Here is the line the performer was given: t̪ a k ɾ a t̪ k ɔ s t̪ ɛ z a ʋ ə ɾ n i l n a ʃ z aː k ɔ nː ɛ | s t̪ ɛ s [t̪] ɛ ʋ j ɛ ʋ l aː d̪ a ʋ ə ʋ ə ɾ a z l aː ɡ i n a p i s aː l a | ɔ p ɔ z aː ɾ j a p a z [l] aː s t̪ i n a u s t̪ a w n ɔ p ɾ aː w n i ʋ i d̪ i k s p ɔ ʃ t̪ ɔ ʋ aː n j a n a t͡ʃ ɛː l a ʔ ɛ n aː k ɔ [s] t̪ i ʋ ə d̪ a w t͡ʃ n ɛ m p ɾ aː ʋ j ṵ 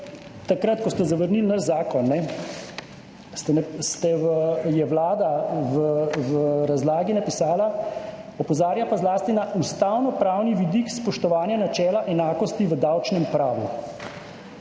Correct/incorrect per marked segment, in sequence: correct, correct, correct

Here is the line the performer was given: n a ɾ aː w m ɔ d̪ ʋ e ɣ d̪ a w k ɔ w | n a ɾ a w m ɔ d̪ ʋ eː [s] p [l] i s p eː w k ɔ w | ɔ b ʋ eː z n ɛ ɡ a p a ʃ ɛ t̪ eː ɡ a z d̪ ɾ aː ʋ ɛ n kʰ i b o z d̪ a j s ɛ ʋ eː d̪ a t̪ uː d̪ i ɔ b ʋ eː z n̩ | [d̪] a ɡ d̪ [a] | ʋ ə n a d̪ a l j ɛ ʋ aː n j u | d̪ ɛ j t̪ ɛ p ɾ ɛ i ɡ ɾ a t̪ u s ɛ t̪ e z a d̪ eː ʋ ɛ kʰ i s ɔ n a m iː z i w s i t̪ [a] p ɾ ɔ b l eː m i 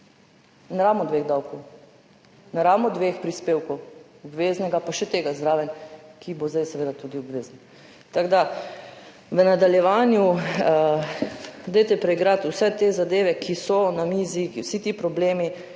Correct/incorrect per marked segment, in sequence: incorrect: x, incorrect: ɾ, incorrect: t̪, correct, incorrect: i

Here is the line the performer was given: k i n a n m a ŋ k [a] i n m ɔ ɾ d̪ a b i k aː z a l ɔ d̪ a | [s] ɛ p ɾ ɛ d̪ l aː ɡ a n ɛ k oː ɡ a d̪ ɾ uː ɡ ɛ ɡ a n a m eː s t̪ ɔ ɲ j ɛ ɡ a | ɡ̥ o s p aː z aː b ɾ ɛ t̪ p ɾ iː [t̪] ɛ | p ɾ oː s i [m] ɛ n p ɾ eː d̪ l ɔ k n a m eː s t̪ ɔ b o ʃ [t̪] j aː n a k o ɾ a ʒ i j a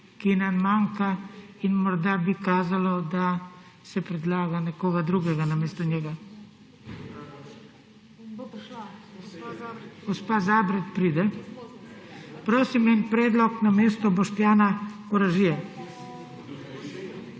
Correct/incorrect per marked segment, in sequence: correct, correct, incorrect: d̪, correct, correct

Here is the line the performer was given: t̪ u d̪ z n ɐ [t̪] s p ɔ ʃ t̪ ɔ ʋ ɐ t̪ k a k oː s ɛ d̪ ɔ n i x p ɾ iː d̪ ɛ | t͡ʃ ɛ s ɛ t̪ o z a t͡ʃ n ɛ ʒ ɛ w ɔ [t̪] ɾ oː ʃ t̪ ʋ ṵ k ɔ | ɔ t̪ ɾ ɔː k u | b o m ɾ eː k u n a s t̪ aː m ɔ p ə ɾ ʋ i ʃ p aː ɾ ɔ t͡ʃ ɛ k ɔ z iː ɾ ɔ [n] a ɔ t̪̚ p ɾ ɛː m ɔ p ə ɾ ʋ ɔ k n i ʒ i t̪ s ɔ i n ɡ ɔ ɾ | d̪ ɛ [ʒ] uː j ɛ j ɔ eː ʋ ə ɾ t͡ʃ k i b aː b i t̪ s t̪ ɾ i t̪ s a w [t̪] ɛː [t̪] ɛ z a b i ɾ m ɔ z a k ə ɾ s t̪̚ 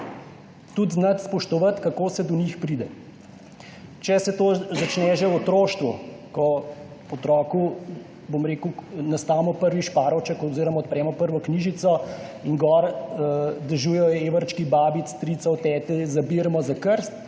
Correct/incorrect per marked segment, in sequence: correct, correct, incorrect: m, correct, correct, correct

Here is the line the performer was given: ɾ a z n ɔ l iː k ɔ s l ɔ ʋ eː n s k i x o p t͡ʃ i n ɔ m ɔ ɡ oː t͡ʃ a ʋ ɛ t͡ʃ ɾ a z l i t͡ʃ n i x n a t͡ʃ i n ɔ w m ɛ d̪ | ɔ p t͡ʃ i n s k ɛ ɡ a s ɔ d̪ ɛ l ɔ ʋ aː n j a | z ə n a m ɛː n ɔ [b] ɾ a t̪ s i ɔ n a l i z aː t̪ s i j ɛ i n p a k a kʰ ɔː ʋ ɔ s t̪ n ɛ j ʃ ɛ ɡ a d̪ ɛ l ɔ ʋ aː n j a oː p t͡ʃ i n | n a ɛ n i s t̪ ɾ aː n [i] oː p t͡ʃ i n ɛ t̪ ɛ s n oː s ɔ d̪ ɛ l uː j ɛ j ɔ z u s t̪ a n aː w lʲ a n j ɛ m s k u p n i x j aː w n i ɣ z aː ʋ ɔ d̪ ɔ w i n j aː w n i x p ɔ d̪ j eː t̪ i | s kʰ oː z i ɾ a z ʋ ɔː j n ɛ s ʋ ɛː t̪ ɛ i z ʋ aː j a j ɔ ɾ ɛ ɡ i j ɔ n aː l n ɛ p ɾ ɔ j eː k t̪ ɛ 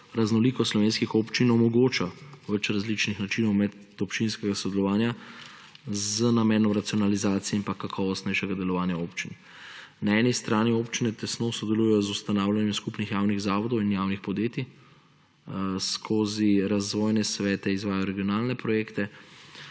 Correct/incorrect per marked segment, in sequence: incorrect: m, correct

